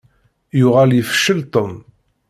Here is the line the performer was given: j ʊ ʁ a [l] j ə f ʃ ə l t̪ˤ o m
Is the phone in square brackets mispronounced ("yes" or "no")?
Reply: no